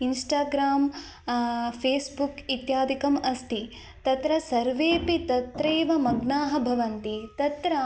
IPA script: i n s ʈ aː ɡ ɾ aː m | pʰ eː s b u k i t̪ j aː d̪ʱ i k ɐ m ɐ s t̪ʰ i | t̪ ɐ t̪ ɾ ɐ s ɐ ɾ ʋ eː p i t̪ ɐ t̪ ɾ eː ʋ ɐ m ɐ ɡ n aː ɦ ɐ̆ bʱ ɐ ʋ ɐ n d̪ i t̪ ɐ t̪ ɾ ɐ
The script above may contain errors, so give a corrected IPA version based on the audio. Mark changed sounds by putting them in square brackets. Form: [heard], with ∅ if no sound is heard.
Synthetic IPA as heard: i n s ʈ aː ɡ ɾ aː m | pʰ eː s b u k i t̪ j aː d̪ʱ i k ɐ m ɐ s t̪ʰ i | t̪ ɐ t̪ ɾ ɐ s ɐ ɾ ʋ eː p i t̪ ɐ t̪ ɾ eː ʋ ɐ m ɐ ɡ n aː ɦ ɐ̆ bʱ ɐ ʋ ɐ n [t̪] i t̪ ɐ t̪ ɾ ɐ

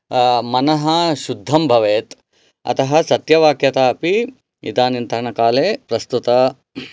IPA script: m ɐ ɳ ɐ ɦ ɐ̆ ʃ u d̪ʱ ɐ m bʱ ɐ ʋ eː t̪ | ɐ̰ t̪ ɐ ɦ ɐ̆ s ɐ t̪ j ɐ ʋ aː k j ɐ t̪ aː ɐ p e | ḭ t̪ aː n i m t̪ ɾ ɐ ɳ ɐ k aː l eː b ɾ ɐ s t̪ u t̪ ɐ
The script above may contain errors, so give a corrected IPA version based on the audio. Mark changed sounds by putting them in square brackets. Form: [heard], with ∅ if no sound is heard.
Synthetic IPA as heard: m ɐ [n] ɐ ɦ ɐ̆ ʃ u [d̪ʱː] ɐ m bʱ ɐ ʋ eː t̪ | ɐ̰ t̪ ɐ ɦ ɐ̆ s ɐ t̪ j ɐ ʋ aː k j ɐ t̪ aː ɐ p [i] | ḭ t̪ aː n i [n] t̪ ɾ ɐ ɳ ɐ k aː l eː [p] ɾ ɐ s t̪ u t̪ ɐ

